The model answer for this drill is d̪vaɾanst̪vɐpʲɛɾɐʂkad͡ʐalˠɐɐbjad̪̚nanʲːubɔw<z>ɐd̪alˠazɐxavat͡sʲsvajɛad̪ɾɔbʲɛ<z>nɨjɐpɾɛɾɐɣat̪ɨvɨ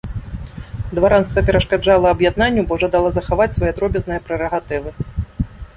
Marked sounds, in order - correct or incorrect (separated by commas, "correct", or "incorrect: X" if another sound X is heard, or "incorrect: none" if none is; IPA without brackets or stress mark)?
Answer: incorrect: ʐ, correct